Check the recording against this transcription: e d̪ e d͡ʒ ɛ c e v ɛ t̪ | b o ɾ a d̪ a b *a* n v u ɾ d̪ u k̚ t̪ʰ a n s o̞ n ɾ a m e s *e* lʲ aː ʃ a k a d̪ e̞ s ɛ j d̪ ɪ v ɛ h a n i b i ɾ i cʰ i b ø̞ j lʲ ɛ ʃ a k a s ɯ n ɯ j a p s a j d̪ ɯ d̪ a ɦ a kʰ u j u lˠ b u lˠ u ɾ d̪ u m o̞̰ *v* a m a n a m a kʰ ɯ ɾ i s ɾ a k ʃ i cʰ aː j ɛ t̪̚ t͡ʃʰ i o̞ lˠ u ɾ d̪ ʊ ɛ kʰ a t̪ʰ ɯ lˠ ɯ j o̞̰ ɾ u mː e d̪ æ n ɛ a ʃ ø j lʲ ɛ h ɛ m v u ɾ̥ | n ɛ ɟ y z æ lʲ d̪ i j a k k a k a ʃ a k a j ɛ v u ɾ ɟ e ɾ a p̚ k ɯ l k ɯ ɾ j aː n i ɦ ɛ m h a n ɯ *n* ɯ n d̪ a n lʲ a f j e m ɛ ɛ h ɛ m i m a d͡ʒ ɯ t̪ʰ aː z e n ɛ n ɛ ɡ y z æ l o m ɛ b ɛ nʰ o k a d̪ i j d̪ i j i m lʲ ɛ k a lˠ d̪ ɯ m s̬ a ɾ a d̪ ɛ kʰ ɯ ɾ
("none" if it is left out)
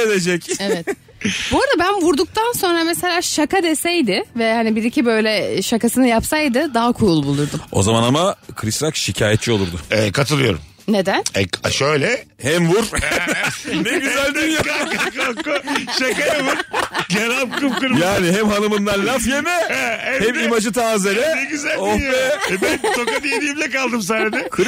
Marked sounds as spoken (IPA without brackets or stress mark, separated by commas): æ, e, z, m